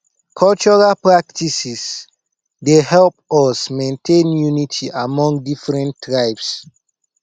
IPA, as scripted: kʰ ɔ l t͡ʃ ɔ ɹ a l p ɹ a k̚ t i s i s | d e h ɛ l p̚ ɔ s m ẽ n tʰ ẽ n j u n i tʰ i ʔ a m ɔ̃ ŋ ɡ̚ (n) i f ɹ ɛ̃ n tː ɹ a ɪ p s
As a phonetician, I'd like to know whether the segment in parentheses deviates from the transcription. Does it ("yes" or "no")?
yes